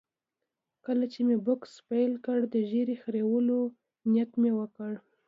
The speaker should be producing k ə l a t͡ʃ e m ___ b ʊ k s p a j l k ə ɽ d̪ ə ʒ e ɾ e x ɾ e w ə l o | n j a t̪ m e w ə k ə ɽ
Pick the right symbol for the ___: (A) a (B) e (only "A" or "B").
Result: B